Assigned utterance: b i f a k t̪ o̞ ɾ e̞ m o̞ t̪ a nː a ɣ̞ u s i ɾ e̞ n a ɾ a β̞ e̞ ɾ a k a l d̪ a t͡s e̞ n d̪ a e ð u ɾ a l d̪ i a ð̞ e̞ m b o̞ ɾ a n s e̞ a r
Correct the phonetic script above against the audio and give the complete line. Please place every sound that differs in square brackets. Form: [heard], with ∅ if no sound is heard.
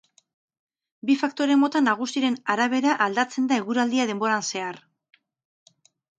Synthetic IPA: b i f a k t̪ o̞ ɾ e̞ m o̞ t̪ a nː a ɣ̞ u s i ɾ e̞ n a ɾ a β̞ e̞ ɾ a [ʔ] a l d̪ a t͡s e̞ n d̪ a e [ɣ] u ɾ a l d̪ i a ð̞ e̞ m b o̞ ɾ a n s e̞ a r